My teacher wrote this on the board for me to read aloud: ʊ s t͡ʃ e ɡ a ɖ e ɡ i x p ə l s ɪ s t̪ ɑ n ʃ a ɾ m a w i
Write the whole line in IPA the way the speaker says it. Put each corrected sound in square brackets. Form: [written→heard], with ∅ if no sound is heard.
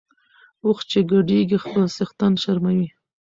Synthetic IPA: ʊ [s→x] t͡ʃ e ɡ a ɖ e ɡ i x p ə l s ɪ [s→x] t̪ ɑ n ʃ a ɾ m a w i